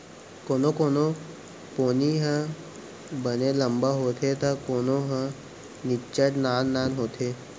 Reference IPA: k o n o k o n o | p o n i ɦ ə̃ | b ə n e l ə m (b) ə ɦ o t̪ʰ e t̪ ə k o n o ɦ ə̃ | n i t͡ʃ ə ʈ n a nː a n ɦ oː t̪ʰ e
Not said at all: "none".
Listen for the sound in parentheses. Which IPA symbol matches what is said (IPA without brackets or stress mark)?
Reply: b